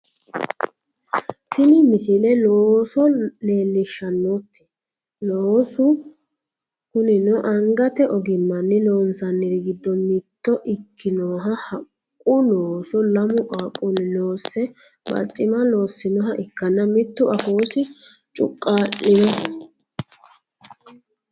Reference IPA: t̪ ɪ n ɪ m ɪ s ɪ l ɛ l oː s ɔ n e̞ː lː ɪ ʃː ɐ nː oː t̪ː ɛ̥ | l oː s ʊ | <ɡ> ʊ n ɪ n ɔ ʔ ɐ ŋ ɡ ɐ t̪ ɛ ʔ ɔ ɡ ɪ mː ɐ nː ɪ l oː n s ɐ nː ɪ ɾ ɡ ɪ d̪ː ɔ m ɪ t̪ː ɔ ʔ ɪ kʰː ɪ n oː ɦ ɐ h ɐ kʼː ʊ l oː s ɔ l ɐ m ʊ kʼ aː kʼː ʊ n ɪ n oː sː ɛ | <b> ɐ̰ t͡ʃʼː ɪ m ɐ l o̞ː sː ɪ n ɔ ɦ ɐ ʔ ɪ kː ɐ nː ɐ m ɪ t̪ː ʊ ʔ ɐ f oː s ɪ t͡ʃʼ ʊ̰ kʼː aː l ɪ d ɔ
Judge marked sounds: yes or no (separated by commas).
no, yes